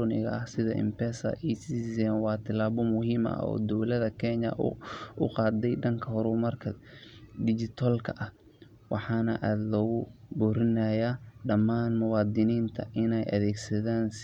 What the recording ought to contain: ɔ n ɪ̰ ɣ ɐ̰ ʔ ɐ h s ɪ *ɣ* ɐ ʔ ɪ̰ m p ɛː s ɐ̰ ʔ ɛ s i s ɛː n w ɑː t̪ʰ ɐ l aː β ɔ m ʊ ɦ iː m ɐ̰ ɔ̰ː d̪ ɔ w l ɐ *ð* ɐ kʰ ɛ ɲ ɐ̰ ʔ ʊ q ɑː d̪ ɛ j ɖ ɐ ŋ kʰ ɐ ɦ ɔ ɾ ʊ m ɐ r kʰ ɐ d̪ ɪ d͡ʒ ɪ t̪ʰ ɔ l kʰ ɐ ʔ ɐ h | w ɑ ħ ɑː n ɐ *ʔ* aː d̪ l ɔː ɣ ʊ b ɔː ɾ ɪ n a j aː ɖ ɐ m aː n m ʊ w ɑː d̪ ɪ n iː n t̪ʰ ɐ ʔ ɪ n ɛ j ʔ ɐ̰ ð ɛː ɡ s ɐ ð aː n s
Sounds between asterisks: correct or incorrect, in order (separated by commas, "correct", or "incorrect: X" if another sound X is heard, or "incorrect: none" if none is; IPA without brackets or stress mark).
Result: incorrect: ð, correct, correct